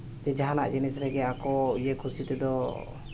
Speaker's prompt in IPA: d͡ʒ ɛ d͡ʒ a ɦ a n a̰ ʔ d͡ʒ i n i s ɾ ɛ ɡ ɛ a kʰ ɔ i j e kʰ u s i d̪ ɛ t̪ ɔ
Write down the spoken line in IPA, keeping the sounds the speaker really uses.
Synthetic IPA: d͡ʒ ɛ d͡ʒ a ɦ a n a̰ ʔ d͡ʒ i n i s ɾ ɛ ɡ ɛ a k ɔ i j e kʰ u s i t̪ ɛ d̪ ɔ